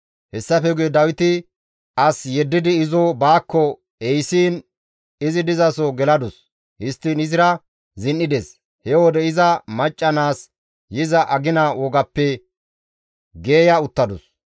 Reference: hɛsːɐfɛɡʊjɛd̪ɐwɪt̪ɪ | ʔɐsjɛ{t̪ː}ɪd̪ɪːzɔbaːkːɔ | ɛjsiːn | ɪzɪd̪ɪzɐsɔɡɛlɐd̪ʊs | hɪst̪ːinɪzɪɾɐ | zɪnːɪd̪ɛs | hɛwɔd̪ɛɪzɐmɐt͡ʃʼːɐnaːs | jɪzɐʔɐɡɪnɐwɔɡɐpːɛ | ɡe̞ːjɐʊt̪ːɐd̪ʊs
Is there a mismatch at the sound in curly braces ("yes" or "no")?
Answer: yes